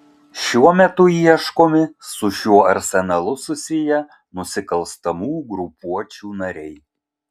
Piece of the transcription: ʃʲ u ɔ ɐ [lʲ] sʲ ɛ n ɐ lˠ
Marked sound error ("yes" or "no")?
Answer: yes